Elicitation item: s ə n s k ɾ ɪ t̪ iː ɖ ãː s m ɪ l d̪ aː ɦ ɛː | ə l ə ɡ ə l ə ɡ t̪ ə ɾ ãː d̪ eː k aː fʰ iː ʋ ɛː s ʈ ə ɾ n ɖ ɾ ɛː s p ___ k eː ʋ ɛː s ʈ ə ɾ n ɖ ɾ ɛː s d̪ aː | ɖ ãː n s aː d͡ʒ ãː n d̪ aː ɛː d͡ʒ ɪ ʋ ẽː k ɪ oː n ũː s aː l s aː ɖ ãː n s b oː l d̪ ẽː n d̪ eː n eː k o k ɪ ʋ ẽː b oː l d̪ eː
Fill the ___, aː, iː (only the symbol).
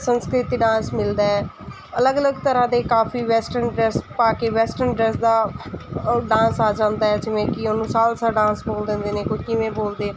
aː